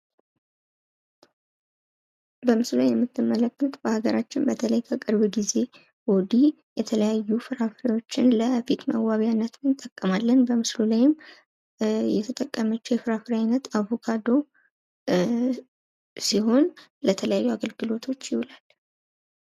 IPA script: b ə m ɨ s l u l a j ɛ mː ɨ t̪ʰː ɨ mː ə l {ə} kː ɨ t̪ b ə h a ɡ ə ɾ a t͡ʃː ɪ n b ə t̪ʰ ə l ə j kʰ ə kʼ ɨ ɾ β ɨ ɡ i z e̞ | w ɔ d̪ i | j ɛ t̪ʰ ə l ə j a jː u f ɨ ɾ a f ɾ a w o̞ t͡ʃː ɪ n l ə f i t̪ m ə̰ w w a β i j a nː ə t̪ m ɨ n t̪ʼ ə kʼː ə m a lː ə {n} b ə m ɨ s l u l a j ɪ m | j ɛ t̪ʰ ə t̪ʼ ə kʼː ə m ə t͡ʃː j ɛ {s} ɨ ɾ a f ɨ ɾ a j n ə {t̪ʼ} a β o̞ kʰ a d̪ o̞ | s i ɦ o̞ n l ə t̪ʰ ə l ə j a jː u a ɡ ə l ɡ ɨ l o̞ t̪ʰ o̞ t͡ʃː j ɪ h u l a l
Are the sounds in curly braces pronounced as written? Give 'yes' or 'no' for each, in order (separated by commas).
yes, yes, no, no